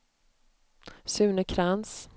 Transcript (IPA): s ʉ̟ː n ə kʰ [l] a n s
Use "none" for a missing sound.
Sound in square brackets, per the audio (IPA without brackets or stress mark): ɾ